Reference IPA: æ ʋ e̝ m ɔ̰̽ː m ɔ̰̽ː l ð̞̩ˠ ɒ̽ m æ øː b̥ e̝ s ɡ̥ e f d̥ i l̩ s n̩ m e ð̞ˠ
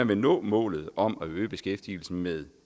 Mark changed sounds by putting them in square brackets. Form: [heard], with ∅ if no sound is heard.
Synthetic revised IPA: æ ʋ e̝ [n] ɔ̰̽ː m ɔ̰̽ː l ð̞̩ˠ ɒ̽ m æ øː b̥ e̝ s ɡ̥ e f d̥ i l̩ s n̩ m e ð̞ˠ